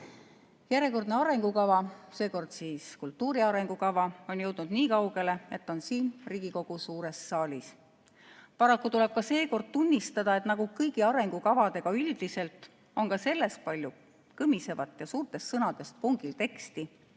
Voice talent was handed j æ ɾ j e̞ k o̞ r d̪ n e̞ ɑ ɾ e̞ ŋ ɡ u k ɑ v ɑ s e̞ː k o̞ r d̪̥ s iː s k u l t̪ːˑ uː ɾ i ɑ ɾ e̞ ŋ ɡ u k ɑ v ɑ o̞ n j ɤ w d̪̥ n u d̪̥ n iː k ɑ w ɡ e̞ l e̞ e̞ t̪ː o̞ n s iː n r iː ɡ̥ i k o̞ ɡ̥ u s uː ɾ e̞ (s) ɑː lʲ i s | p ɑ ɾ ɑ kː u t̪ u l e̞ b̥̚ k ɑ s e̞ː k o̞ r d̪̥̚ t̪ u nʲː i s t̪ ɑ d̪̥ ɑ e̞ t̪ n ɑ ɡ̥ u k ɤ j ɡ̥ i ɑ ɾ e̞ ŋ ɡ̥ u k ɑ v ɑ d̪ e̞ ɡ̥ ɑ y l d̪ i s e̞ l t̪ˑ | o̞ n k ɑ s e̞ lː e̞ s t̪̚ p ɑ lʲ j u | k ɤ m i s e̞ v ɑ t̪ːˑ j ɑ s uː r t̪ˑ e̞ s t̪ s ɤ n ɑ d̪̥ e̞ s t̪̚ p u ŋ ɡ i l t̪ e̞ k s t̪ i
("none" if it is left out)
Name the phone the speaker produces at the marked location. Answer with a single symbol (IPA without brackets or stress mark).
sː